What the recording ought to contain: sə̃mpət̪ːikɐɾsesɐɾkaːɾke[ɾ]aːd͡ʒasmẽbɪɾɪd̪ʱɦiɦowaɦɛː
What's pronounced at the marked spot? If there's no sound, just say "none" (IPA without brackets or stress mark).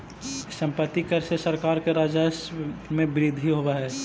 ɾ